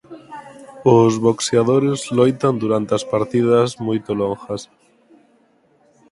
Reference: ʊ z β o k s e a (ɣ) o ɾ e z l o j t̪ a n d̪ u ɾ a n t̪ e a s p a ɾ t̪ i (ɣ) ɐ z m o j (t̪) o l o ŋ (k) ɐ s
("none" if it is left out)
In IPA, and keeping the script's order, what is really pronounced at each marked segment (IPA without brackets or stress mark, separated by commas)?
ð, ð, t̪, x